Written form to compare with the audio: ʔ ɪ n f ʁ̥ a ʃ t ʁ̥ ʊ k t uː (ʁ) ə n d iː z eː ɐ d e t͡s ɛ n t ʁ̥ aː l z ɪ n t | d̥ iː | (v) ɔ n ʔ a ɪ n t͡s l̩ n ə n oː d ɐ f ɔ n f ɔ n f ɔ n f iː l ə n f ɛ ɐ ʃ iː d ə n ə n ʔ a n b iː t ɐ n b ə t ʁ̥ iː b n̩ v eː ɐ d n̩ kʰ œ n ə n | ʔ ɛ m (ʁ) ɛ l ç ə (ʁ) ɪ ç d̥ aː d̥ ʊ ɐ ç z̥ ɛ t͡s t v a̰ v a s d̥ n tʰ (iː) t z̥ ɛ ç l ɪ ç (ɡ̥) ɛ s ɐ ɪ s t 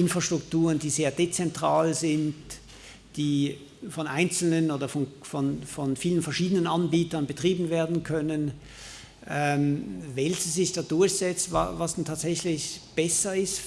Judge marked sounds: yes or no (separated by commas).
yes, no, no, no, no, no